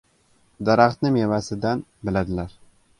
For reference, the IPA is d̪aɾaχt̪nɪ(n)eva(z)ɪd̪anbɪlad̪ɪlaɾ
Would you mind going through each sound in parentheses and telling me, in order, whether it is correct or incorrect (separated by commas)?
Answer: incorrect, incorrect